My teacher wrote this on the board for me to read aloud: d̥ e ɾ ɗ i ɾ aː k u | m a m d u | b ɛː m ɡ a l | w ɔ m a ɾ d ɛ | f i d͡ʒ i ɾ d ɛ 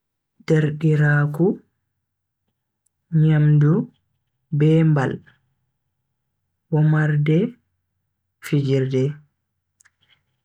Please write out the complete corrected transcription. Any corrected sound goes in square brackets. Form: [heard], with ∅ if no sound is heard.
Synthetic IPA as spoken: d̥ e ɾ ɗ i ɾ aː k u | [ɲ] a m d u | b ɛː m [b] a l | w ɔ m a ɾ d ɛ | f i d͡ʒ i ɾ d ɛ